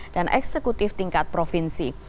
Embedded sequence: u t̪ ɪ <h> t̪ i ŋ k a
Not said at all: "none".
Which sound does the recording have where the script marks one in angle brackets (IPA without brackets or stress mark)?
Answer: f